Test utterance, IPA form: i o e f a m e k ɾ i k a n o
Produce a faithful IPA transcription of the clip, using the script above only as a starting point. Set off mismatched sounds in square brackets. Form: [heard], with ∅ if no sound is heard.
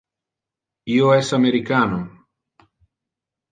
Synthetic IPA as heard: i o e [s] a m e [∅] ɾ i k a n o